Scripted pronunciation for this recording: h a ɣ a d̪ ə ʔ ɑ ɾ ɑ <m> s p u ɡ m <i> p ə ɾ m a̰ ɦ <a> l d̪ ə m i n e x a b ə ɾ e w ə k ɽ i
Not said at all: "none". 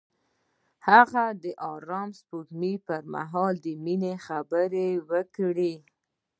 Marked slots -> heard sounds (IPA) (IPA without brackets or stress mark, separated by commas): m, i, ɑ